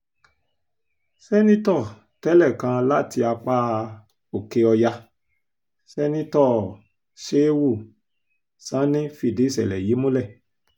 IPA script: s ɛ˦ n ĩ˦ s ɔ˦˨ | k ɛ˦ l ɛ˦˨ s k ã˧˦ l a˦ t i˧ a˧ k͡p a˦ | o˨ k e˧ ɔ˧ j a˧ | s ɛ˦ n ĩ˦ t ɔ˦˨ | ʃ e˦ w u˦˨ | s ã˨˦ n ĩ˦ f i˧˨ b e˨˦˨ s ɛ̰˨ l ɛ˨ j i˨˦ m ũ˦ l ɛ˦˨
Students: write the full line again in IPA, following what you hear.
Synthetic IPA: s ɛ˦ n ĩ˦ t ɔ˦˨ | t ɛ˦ l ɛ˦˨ k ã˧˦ l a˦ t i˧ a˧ k͡p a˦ | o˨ k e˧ ɔ˧ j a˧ | s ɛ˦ n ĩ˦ t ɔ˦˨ | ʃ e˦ w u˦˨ | s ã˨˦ n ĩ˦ f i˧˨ d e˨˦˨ s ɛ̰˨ l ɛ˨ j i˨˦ m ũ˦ l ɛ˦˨